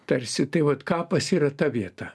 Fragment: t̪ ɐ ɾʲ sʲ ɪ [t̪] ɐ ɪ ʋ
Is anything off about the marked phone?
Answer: no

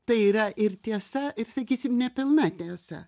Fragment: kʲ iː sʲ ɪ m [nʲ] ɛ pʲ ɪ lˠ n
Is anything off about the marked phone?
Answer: no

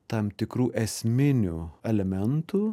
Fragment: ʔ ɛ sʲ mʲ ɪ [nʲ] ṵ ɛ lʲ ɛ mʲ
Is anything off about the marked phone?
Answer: no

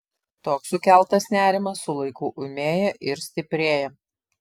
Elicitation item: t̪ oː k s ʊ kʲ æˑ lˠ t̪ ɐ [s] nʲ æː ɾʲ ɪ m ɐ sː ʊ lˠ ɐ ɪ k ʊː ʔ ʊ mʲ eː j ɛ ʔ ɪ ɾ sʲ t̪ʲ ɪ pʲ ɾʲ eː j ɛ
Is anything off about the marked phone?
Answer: no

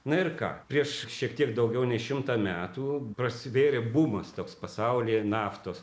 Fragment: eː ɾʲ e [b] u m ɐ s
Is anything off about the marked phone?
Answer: no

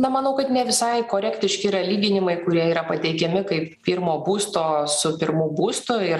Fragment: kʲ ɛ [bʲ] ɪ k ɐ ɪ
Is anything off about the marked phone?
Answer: yes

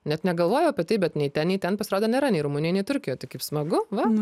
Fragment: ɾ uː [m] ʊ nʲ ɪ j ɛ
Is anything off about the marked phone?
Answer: no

